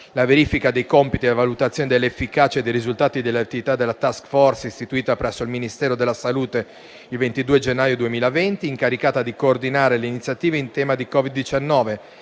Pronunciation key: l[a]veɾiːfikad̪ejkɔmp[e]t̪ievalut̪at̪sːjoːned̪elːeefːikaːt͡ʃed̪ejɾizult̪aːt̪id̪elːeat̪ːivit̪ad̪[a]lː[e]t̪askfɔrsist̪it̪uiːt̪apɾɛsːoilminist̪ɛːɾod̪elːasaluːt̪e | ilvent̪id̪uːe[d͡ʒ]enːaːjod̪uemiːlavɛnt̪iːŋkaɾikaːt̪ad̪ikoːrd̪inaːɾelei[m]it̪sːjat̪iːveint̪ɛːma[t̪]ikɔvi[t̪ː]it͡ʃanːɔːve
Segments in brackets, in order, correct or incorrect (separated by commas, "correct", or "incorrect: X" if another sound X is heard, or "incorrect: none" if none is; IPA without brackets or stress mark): correct, incorrect: i, incorrect: e, incorrect: a, correct, incorrect: n, incorrect: d̪, incorrect: d̪ː